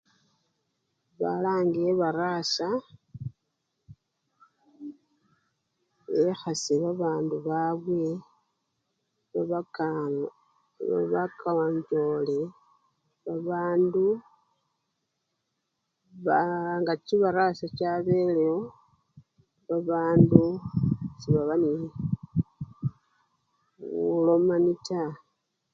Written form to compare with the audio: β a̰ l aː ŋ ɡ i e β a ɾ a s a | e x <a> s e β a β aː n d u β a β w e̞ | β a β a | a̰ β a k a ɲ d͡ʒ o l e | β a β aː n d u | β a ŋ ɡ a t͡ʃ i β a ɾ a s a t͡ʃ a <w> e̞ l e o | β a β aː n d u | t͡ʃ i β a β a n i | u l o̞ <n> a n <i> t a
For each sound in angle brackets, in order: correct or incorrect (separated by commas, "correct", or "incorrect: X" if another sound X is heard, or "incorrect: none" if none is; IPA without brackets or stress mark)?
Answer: correct, incorrect: β, incorrect: m, correct